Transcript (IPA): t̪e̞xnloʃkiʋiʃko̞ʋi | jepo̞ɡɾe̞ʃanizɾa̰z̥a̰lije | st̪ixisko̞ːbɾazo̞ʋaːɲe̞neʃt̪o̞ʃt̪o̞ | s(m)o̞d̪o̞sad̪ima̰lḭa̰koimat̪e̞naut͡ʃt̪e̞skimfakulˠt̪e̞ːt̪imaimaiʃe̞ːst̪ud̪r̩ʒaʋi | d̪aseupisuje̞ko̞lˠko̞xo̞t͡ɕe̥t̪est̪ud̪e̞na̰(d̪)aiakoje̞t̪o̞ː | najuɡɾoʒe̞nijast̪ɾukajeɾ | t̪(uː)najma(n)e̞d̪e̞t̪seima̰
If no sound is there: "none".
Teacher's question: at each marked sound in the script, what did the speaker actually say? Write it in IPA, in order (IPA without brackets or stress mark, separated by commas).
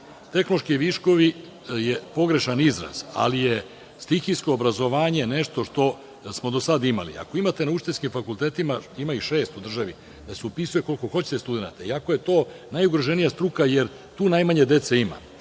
m, t̪, uː, ɲ